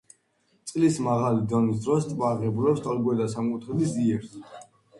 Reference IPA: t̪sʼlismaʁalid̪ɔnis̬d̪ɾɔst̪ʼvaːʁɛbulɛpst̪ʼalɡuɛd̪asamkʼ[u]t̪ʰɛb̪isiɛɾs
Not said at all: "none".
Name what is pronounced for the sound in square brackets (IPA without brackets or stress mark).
u